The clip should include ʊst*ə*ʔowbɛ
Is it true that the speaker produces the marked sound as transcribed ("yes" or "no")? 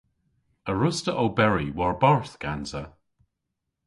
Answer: yes